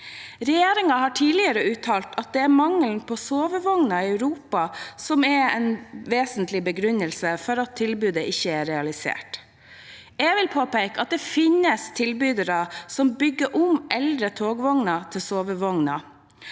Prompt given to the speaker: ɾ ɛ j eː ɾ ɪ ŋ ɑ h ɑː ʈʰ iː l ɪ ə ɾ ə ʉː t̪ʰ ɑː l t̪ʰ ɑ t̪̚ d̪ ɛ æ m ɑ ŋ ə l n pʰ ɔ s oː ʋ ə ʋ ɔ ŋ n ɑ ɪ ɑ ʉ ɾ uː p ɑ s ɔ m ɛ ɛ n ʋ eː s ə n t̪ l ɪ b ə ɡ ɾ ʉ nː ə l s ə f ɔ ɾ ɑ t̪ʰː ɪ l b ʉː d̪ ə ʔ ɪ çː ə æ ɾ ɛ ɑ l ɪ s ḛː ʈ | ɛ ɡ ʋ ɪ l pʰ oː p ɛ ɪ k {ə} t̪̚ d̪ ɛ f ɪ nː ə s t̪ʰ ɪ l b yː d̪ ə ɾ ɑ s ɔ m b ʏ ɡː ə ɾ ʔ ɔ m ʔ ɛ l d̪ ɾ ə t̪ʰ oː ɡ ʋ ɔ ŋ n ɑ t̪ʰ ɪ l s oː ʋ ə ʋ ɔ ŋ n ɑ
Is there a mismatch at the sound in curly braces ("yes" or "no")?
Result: yes